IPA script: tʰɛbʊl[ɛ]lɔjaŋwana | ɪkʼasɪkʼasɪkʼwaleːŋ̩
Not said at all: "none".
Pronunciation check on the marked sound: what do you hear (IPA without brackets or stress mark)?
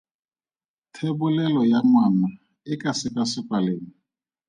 ɛ